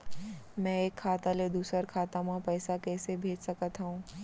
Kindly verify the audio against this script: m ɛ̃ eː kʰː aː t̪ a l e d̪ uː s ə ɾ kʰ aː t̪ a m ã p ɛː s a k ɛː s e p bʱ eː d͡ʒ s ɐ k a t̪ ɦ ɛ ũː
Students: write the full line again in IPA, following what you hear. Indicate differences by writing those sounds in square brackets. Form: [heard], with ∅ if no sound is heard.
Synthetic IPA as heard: m ɛ̃ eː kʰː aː t̪ a l e d̪ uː s ə ɾ kʰ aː t̪ a m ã p ɛː s a k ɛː s e [∅] bʱ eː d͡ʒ s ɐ k [ə] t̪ ɦ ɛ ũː